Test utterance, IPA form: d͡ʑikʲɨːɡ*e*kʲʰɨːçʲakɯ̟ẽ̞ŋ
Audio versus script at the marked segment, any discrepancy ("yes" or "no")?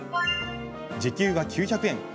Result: yes